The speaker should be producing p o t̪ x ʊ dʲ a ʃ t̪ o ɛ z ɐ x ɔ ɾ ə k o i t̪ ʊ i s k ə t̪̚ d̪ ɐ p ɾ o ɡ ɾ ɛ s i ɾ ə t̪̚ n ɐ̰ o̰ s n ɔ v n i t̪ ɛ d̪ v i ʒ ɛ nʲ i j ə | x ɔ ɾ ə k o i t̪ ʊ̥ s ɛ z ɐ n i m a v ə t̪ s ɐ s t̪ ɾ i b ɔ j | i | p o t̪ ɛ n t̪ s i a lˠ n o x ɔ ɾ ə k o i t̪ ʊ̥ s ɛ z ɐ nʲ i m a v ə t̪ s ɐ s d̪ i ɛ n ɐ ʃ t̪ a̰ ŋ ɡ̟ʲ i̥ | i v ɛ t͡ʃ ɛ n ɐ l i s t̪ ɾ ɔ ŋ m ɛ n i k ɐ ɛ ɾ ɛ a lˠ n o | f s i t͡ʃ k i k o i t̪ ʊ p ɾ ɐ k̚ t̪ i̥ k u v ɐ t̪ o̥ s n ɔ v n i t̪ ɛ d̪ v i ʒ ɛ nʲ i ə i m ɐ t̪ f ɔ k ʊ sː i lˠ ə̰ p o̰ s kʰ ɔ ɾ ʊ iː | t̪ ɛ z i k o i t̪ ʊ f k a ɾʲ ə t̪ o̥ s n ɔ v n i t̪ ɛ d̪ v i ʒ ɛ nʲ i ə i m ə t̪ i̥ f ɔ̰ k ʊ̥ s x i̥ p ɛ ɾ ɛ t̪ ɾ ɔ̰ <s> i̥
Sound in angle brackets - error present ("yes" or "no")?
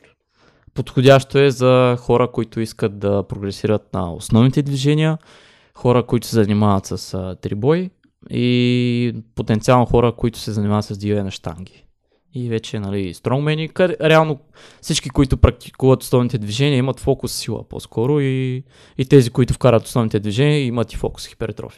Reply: yes